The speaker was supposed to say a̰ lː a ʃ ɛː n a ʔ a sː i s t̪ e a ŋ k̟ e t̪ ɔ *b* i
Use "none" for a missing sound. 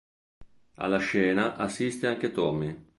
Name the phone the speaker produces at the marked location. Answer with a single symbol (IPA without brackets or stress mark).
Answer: m